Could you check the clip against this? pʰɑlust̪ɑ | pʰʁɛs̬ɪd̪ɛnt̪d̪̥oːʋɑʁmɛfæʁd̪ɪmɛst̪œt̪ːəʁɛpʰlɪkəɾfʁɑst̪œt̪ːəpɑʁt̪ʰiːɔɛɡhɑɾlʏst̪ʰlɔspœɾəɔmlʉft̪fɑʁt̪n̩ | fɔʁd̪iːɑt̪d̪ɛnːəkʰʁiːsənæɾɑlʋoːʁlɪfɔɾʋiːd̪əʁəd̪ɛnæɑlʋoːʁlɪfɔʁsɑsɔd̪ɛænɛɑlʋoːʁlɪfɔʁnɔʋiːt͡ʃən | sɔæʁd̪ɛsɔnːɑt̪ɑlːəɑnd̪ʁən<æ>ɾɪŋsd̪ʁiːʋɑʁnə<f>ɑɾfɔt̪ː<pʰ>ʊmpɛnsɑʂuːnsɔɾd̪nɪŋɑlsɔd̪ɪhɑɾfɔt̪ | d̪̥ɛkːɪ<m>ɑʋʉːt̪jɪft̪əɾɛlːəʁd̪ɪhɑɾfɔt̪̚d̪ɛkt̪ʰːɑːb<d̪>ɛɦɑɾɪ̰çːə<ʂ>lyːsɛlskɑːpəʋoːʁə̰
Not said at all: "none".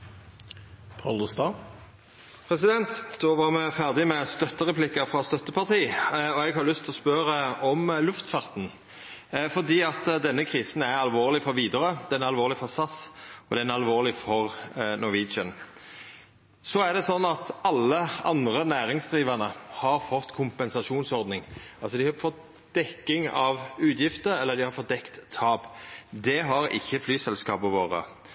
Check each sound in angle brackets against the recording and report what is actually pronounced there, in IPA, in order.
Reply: æː, h, kʰ, ŋ, d̪, f

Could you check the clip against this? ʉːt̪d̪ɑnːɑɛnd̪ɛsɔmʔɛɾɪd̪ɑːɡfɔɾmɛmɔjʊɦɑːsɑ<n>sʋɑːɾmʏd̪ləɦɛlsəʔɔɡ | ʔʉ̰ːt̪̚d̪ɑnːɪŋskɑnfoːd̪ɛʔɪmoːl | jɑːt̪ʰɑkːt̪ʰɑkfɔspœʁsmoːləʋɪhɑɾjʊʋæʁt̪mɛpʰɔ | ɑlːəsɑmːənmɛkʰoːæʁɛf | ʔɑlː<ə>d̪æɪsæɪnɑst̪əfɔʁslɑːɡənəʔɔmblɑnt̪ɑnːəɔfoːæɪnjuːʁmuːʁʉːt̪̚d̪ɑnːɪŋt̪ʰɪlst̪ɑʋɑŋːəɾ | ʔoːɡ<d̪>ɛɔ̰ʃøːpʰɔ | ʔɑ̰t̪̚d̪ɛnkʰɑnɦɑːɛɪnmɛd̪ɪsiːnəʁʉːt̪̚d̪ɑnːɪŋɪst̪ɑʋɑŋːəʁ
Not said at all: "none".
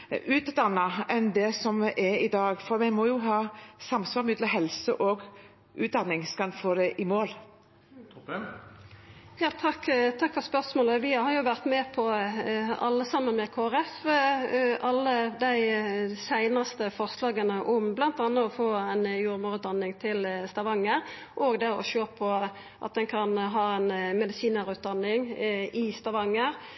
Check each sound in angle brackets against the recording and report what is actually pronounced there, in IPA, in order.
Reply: m, ə, d̪

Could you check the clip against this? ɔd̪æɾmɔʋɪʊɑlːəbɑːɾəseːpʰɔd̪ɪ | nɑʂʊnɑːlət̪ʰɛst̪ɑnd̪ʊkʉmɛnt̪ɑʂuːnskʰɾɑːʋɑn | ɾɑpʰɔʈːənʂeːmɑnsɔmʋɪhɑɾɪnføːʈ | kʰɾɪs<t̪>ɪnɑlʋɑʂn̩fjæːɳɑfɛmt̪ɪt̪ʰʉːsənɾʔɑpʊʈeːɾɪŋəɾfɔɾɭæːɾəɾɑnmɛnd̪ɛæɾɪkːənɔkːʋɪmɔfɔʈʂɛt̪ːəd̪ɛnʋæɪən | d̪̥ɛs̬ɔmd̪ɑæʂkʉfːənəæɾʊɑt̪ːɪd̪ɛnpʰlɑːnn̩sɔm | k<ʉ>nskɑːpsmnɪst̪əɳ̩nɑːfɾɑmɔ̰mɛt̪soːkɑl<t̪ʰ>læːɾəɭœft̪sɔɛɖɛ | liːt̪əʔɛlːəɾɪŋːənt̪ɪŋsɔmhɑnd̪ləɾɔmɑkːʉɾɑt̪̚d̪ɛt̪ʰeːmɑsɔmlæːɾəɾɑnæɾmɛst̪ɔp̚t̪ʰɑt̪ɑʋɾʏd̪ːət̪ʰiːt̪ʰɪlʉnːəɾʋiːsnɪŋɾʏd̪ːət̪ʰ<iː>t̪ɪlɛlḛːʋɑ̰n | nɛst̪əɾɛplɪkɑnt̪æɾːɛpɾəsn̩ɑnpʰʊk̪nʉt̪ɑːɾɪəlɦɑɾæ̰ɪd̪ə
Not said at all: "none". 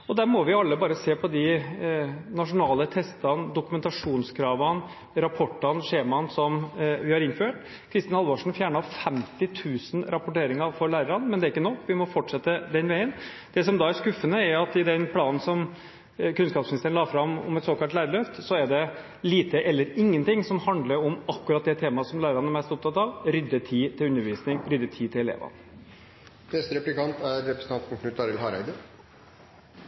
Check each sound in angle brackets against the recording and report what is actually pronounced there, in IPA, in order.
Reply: t̪, ʉ, t̪, iː

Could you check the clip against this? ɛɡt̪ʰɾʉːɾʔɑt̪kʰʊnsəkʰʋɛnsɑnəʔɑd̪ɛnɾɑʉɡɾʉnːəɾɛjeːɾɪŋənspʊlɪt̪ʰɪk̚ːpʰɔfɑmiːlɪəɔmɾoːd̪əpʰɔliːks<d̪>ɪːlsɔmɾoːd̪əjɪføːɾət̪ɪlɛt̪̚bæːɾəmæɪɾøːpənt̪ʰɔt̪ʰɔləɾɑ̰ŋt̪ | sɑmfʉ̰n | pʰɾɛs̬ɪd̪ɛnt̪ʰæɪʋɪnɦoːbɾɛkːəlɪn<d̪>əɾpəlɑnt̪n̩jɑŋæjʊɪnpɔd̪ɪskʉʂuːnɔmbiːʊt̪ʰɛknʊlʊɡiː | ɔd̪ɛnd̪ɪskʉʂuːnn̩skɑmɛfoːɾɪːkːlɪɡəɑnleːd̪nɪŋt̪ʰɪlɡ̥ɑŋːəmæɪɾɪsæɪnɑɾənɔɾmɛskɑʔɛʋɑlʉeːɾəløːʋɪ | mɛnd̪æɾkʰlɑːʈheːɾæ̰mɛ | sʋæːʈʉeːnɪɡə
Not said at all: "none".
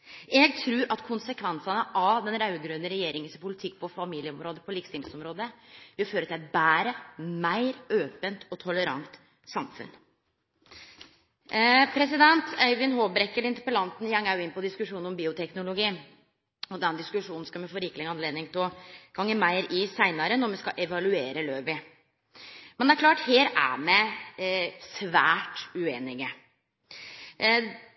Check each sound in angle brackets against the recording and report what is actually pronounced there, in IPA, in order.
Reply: t̪, t̪

